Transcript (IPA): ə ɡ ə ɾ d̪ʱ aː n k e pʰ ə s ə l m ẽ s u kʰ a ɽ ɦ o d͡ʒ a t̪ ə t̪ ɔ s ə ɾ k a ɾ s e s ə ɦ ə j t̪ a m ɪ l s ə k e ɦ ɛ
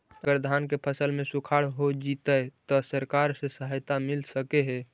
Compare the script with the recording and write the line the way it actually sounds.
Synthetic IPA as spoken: ə ɡ ə ɾ d̪ʱ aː n k e pʰ ə s ə l m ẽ s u kʰ a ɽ ɦ o d͡ʒ i t̪ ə t̪ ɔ s ə ɾ k a ɾ s e s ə ɦ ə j t̪ a m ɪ l s ə k e ɦ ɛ

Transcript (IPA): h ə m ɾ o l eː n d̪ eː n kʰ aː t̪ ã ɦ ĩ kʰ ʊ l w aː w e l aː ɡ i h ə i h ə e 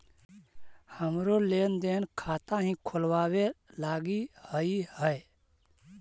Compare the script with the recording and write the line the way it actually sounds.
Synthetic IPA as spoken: h ə m ɾ o l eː n d̪ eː n kʰ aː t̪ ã ɦ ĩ kʰ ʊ l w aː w e l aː ɡ i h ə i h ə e

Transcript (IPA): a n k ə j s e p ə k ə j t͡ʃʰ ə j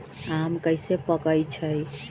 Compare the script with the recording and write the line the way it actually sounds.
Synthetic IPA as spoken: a m k ə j s e p ə k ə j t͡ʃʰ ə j

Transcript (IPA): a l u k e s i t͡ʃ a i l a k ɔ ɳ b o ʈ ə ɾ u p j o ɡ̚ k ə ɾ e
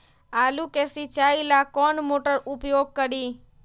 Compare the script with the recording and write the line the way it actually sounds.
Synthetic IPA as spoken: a l u k e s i t͡ʃ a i l a k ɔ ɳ m o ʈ ə ɾ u p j o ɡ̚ k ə ɾ i

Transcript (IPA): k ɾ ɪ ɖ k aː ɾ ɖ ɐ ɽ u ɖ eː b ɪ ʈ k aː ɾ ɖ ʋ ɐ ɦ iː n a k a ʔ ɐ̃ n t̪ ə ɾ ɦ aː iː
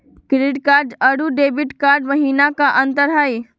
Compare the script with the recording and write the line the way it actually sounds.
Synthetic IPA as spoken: k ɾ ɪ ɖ k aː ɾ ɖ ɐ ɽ u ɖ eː b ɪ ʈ k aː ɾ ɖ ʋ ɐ ɦ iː n a k a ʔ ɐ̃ n t̪ ə ɾ ɦ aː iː

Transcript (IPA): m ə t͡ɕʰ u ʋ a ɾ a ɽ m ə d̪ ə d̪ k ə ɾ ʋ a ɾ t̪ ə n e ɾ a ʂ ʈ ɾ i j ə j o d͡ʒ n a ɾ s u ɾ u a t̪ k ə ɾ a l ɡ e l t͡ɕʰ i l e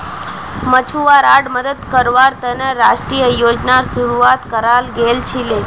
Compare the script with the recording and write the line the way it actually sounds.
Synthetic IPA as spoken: m ə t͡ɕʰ u ʋ a ɾ a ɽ m ə d̪ ə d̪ k ə ɾ ʋ a ɾ t̪ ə n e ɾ a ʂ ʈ ɾ i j ə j o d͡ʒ n a ɾ s u ɾ u a t̪ k ə ɾ a l ɡ e l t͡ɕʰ i l e

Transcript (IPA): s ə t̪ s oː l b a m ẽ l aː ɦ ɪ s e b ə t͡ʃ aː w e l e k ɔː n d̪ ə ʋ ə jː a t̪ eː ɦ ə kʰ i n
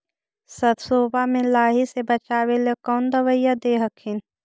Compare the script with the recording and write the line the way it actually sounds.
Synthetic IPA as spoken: s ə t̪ s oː b a m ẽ l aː ɦ i s e b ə t͡ʃ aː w e l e k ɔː n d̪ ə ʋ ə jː a d̪ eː ɦ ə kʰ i n

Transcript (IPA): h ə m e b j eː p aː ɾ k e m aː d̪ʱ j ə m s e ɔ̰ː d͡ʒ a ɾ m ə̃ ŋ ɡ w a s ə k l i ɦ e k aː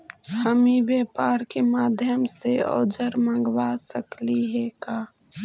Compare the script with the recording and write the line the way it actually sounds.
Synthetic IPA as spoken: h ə m i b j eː p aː ɾ k e m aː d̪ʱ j ə m s e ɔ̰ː d͡ʒ ə ɾ m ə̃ ŋ ɡ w a s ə k l i ɦ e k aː

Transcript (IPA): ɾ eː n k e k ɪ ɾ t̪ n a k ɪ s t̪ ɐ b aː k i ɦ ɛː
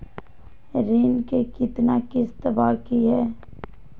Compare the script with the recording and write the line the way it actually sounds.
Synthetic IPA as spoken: ɾ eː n k e k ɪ t̪ n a k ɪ s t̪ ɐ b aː k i ɦ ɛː

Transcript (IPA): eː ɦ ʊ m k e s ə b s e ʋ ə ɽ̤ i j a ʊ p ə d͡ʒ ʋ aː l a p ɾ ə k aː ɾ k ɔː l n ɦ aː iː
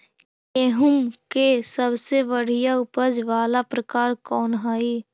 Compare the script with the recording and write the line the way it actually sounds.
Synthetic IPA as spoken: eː ɦ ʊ m k e s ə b s e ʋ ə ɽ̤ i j a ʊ p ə d͡ʒ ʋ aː l a p ɾ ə k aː ɾ k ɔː n ɦ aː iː

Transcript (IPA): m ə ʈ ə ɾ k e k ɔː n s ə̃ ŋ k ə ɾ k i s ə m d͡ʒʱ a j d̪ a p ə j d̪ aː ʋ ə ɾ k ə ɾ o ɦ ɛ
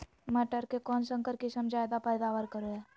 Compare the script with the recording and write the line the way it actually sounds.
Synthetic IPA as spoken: m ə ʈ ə ɾ k e k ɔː n s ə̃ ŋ k ə ɾ k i s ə m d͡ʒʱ a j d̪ a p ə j d̪ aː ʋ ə ɾ k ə ɾ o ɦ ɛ

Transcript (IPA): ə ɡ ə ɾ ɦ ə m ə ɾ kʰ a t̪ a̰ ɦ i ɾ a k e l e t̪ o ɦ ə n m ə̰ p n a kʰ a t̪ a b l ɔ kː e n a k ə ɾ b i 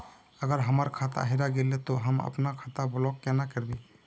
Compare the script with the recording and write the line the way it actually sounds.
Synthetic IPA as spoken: ə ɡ ə ɾ ɦ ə m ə ɾ kʰ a t̪ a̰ ɦ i ɾ a ɡ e l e t̪ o ɦ ə m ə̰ p n a kʰ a t̪ a b l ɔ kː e n a k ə ɾ b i

